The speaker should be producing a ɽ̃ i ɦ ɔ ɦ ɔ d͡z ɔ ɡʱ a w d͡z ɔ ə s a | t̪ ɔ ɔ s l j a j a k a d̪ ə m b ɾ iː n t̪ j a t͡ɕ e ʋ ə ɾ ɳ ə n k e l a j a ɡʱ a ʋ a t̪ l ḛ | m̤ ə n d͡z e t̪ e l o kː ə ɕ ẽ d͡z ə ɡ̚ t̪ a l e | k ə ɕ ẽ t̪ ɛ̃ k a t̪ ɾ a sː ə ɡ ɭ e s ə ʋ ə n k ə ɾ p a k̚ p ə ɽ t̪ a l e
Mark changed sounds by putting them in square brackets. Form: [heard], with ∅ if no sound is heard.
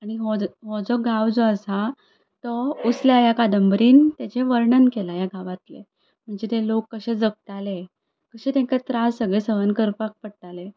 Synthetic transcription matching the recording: a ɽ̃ i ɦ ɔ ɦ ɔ d͡z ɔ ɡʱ a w d͡z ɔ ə s a | t̪ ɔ [u] s l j a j a k a d̪ ə m b ɾ iː n t̪ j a t͡ɕ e ʋ ə ɾ ɳ ə n k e l a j a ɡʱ a ʋ a t̪ l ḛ | m̤ ə [ɳ] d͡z e t̪ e l o kː ə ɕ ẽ d͡z ə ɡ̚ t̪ a l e | k ə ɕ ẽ t̪ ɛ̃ k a t̪ ɾ a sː ə ɡ ɭ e s ə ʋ ə n k ə ɾ p a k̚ p ə ɽ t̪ a l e